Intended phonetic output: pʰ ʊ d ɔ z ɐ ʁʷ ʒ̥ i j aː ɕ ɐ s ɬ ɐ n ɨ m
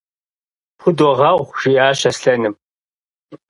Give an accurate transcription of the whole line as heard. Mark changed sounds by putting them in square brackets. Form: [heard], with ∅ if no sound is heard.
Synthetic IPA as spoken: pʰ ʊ d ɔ [ʁ] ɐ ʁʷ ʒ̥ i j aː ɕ ɐ s ɬ ɐ n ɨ m